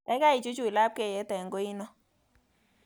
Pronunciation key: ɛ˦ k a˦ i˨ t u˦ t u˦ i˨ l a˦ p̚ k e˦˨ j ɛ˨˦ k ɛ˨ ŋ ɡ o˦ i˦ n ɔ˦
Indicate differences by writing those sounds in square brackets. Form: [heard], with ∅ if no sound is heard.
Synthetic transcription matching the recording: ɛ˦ k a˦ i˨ [t͡ʃ] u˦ [t͡ʃ] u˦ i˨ l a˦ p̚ k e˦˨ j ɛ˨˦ [t] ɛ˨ ŋ ɡ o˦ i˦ n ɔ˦

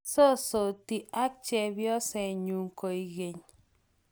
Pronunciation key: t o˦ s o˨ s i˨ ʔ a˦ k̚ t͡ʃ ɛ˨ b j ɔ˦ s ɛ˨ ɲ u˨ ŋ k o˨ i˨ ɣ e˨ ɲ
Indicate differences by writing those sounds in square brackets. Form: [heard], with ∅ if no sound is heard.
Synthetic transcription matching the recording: [s] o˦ s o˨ [t] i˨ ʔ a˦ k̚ t͡ʃ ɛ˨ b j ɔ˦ s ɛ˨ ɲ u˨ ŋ k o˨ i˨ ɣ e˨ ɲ

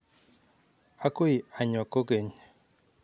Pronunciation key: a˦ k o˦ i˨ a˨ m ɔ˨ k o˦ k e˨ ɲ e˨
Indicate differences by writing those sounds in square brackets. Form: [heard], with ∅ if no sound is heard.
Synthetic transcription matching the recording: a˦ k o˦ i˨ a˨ [ɲ] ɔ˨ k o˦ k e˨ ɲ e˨

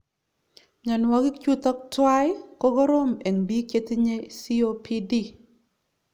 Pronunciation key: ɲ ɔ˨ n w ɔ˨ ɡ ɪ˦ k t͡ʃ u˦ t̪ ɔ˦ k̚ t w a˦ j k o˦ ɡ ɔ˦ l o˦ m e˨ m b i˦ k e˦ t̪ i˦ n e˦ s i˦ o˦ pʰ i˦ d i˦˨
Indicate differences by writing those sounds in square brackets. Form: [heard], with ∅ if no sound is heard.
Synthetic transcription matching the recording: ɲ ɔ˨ n w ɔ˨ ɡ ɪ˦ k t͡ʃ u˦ t̪ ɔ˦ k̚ t w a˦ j k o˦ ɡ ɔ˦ [ɾ] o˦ m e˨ [ŋ] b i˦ k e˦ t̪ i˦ [ɲ] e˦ s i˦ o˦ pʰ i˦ d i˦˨

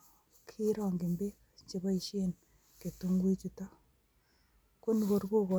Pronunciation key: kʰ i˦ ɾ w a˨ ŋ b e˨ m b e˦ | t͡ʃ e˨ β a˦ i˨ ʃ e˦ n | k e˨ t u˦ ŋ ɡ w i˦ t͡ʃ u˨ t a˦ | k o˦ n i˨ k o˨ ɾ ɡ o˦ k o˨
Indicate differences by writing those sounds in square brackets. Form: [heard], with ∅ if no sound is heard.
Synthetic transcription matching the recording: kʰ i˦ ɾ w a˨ ŋ [ɡ] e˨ m b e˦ | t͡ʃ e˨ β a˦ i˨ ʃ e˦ n | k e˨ t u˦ ŋ ɡ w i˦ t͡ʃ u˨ t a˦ | k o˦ n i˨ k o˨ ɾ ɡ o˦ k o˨

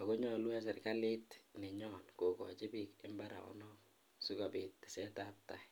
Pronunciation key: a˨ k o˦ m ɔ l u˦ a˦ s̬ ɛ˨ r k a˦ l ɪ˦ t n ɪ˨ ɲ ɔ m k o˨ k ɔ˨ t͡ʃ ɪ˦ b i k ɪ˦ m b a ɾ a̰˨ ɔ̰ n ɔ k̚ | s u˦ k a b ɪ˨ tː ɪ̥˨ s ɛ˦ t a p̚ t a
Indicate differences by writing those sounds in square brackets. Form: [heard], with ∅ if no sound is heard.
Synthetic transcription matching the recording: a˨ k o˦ [ɲ] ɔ l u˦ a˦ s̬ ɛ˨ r k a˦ l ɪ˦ t n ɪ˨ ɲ ɔ [n] k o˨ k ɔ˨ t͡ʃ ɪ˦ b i k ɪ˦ m b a ɾ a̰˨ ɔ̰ n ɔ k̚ | s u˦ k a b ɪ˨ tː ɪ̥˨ s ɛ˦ t a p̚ t a

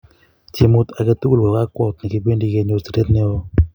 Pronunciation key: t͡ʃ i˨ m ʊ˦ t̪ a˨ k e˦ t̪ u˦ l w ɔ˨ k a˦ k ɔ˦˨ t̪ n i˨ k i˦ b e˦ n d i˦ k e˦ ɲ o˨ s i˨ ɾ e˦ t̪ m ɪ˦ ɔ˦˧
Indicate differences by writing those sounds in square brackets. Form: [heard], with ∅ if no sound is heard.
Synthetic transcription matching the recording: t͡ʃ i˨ m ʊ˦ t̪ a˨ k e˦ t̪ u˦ l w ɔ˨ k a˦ k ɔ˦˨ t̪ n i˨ k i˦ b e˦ n d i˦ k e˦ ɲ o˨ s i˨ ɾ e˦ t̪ [n] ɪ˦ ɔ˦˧

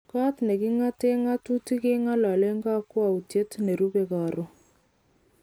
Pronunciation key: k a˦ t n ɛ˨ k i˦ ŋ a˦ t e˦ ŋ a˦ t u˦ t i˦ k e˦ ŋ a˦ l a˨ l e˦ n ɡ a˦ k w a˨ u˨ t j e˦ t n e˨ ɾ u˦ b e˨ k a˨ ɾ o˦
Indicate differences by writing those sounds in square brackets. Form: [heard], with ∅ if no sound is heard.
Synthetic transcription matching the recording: k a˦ t n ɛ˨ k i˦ ŋ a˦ t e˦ ŋ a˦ t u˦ t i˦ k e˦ ŋ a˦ l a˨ l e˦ [ŋ] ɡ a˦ k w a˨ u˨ t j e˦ t n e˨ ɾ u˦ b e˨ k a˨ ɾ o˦

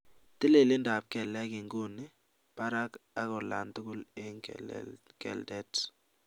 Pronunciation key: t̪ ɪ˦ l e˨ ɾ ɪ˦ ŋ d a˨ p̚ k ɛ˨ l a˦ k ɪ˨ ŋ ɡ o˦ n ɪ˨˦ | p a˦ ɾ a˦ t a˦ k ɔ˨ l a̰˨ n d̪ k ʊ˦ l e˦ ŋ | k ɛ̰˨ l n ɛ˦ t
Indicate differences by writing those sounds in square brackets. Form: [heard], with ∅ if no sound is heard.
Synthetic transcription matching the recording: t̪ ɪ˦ l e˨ [l] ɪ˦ [n] d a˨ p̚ k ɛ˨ l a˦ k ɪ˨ ŋ ɡ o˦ n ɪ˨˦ | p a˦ ɾ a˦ [k] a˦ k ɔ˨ l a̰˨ n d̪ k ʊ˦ l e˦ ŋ | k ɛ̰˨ l [d] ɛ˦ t

